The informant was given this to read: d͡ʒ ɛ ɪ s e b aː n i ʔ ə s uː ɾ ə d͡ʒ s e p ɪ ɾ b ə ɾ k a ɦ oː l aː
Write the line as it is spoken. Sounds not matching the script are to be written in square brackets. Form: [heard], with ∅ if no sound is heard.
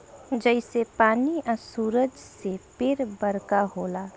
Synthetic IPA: d͡ʒ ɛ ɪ s e [p] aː n i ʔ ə s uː ɾ ə d͡ʒ s e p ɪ ɾ b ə ɾ k a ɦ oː l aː